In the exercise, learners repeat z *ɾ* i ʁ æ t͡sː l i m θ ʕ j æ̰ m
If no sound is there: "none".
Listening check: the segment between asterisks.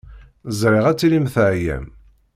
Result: ɾ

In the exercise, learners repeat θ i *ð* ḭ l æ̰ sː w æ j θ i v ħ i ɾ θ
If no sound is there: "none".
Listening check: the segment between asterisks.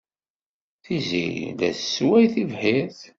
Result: z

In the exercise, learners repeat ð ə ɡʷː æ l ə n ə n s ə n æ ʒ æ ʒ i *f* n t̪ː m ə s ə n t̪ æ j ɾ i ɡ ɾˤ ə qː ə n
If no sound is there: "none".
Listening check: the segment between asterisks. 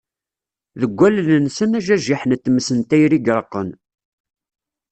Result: ħ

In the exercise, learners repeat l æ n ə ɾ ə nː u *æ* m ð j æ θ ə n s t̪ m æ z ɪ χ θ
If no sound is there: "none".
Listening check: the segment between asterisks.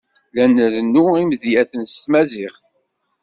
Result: i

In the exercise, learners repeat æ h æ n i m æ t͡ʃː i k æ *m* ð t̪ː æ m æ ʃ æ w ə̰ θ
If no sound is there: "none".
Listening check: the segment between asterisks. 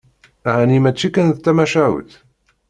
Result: n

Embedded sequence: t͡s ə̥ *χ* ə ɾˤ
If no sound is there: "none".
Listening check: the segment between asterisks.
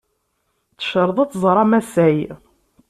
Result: ʃ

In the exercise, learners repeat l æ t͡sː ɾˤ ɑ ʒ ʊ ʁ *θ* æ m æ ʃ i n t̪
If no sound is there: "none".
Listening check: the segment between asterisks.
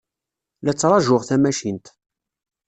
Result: θ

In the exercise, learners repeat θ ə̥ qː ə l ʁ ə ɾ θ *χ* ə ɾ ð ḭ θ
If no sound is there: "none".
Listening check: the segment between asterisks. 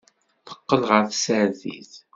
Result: s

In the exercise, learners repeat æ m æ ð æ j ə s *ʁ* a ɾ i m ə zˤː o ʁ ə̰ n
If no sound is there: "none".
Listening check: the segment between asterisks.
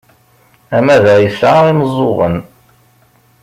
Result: ʕ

